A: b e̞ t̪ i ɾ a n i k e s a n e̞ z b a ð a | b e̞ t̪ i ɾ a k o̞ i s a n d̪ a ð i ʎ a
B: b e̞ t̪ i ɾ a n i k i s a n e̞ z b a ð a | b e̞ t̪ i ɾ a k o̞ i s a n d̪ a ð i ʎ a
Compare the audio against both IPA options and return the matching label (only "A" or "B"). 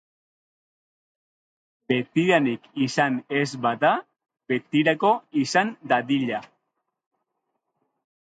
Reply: B